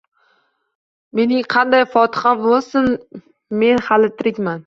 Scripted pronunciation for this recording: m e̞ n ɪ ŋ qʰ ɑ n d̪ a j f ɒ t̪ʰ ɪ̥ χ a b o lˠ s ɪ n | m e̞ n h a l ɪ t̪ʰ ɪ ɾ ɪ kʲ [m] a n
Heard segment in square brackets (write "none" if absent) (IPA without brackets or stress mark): m